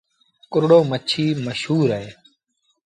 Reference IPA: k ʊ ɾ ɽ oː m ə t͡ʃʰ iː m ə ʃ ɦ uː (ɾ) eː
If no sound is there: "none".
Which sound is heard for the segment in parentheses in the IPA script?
ɾ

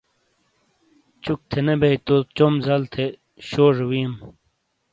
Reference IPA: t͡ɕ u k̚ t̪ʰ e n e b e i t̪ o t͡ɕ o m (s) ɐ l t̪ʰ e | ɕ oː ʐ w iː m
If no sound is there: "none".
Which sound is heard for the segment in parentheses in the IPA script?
z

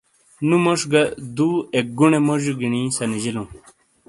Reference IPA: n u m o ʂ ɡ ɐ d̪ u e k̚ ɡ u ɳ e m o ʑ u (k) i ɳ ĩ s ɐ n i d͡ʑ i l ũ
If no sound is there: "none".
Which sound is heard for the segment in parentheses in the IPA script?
ɡ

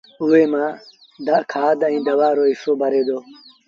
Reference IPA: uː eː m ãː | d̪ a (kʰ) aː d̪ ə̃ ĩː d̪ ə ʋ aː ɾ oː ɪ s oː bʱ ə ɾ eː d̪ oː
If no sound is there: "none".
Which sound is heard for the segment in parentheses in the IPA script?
kʰ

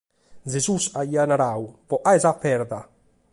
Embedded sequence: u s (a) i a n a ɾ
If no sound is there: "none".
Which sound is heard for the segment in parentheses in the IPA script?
a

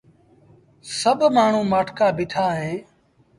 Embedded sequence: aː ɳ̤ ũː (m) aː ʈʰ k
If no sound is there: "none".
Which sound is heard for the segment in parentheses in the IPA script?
m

